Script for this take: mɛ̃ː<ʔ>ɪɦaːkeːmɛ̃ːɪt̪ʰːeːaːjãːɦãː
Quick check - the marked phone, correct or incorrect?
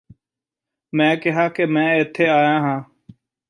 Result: incorrect